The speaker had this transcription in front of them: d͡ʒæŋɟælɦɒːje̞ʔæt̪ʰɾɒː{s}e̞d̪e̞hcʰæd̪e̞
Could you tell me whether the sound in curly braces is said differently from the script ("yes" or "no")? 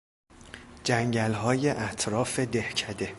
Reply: yes